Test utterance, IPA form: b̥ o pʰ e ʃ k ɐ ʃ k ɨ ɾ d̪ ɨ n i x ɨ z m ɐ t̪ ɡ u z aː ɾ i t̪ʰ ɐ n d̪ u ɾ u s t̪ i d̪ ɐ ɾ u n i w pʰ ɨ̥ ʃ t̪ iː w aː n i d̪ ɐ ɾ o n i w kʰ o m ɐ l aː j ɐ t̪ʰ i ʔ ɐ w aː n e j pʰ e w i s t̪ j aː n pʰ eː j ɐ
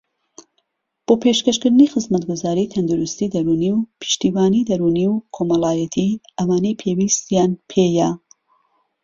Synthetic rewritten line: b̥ o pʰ e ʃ k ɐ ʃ k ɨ ɾ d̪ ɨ n i x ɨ z m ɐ t̪ ɡ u z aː ɾ i t̪ʰ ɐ n d̪ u ɾ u s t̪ i d̪ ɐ ɾ u n i w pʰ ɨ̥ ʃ t̪ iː w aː n i d̪ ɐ ɾ u n i w kʰ o m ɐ l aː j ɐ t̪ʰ i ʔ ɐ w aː n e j pʰ e w i s t̪ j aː n pʰ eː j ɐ